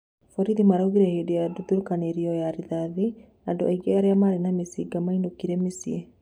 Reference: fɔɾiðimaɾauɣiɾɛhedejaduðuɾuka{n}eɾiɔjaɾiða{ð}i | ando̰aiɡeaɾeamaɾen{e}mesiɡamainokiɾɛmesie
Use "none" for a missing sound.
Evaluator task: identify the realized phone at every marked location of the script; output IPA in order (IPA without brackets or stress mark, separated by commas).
n, ð, a